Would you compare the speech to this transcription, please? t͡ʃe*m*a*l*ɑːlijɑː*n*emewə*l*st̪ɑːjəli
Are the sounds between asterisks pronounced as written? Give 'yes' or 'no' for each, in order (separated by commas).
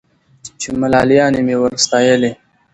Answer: yes, yes, yes, no